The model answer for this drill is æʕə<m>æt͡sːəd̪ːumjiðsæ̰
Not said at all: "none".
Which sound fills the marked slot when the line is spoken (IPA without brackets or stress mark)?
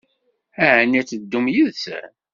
n